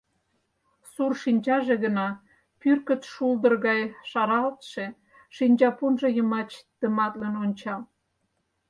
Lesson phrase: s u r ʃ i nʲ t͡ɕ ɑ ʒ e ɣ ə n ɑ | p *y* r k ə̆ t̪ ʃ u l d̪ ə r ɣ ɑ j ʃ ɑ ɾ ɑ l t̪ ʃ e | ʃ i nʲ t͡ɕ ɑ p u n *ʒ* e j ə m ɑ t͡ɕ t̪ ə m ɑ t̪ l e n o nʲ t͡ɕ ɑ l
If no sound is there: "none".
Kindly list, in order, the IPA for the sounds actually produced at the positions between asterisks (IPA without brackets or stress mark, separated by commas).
y, ʒ